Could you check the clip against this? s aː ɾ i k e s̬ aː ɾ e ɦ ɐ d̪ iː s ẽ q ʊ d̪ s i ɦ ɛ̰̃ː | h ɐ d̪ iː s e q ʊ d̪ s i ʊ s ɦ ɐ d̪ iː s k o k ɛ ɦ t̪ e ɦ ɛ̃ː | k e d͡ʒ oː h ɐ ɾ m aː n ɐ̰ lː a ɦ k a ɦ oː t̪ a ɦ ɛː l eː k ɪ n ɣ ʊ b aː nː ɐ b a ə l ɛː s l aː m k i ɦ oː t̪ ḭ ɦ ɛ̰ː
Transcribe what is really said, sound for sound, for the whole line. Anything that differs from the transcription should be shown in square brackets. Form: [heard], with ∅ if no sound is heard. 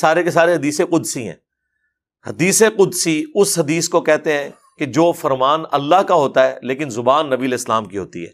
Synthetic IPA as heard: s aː ɾ [e] k e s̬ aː ɾ e ɦ ɐ d̪ iː s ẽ q ʊ d̪ s i ɦ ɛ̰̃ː | h ɐ d̪ iː s e q ʊ d̪ s i ʊ s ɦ ɐ d̪ iː s k o k ɛ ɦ t̪ e ɦ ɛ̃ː | k e d͡ʒ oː [f] ɐ ɾ m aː n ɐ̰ lː a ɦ k a ɦ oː t̪ a ɦ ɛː l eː k ɪ n [z] ʊ b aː nː ɐ b [i] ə l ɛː s l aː m k i ɦ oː t̪ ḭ ɦ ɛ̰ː